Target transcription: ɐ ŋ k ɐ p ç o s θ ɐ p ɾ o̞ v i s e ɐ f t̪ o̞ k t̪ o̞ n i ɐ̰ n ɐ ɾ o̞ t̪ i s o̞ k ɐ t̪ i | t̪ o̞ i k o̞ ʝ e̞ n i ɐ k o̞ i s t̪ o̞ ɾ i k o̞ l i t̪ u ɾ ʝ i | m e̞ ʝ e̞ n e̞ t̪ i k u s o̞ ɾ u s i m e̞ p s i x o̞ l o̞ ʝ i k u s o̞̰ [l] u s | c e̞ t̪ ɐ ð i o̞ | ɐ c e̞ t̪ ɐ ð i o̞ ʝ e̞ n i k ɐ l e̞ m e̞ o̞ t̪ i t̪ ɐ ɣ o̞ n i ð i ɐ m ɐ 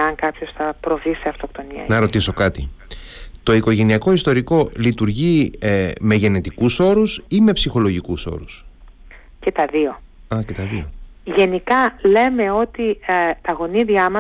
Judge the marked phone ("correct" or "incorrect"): incorrect